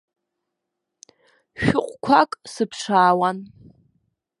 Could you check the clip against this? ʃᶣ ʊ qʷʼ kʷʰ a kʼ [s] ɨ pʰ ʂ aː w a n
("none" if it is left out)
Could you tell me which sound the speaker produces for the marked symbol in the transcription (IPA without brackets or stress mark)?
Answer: s